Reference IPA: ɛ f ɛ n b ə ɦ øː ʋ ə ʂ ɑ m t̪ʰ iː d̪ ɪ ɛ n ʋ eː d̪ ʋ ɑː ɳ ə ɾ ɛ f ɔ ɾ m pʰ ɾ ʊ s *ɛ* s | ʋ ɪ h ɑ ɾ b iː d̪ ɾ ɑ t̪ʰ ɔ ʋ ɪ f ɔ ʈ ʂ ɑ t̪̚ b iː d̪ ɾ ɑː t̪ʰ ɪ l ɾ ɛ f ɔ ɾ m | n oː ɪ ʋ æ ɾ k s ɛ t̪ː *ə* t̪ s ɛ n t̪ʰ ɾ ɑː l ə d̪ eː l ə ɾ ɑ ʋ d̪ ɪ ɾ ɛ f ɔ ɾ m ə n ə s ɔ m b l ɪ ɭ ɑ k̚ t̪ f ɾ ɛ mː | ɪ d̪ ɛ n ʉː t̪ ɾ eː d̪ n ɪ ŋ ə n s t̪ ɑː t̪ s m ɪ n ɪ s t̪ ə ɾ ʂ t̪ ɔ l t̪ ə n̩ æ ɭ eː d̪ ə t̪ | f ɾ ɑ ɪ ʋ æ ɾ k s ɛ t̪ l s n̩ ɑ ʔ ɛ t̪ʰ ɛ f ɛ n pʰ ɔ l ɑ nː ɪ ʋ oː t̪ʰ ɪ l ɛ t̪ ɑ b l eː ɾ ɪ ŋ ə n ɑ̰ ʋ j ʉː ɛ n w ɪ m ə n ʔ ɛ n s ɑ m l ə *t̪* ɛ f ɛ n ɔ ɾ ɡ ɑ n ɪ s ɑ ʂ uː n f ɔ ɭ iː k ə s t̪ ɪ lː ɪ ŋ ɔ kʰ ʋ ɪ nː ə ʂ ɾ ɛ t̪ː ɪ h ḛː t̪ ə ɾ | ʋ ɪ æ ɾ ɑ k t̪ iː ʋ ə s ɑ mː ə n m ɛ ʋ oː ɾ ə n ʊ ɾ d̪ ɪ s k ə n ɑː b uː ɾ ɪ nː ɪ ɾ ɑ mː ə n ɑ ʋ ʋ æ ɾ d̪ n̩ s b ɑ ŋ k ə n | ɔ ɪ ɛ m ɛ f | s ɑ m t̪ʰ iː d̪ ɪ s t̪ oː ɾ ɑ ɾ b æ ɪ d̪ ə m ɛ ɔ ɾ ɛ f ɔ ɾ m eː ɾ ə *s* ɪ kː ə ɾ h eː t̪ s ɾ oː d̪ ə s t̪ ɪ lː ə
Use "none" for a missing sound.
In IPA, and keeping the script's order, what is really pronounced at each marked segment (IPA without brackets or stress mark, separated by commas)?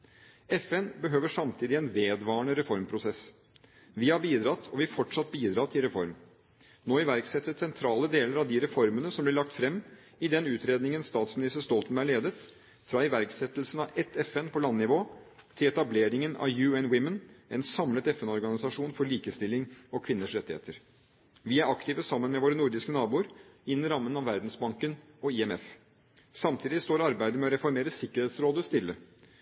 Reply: ɛ, ə, t̪, s